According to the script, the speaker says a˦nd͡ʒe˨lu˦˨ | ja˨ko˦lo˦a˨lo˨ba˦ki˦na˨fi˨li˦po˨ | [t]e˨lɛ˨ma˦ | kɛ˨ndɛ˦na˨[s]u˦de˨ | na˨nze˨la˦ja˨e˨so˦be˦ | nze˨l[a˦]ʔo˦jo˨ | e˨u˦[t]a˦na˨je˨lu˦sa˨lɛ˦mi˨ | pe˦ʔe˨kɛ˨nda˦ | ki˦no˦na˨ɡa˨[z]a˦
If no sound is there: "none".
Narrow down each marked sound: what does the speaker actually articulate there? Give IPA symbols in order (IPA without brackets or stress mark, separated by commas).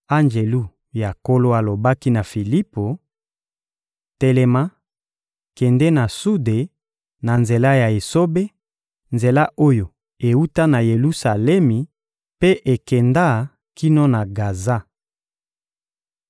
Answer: t, s, a˦, t, z